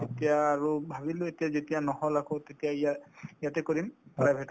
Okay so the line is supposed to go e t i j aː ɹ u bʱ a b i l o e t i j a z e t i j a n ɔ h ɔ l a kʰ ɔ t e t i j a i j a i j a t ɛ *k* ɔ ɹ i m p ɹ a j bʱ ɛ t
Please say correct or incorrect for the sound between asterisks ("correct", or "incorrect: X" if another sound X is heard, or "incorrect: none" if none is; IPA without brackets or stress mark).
correct